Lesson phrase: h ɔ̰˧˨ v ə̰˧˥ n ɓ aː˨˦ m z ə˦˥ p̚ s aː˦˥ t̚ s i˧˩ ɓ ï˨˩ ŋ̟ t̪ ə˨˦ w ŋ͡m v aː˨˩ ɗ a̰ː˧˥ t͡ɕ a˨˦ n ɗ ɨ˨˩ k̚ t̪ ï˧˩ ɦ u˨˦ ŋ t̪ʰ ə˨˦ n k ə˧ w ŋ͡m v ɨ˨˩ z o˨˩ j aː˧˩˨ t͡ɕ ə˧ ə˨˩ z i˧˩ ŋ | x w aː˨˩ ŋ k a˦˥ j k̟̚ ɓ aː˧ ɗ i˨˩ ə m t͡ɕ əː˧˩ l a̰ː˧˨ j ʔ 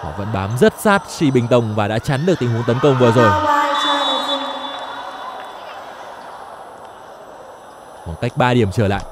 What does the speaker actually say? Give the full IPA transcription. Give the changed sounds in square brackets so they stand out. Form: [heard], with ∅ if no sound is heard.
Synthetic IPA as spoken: h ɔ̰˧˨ v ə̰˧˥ n ɓ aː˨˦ m z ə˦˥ [t̚] s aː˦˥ t̚ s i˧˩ ɓ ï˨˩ ŋ̟ t̪ [ə˨˩] w ŋ͡m v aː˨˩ ɗ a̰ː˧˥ t͡ɕ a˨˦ n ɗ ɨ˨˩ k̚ t̪ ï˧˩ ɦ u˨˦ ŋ [t̪] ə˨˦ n k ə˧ w ŋ͡m v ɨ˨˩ z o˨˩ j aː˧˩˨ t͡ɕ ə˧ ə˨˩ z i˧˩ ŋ | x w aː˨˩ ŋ k a˦˥ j k̟̚ ɓ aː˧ ɗ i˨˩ ə m t͡ɕ əː˧˩ l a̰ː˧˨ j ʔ

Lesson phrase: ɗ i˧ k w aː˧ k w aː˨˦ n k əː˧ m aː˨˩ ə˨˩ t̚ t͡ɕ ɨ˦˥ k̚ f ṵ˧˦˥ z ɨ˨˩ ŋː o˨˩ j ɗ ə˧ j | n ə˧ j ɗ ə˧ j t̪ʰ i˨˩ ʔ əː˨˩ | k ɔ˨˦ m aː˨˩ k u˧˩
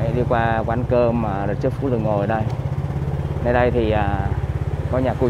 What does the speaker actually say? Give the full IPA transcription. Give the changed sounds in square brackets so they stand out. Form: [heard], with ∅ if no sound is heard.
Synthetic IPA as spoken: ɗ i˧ k w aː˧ k w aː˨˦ n k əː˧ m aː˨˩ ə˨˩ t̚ t͡ɕ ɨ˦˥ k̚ f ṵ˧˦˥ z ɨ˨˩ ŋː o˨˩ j ɗ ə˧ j | n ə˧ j ɗ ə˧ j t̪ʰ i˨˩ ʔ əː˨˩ | k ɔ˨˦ [ɲ] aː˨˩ k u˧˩

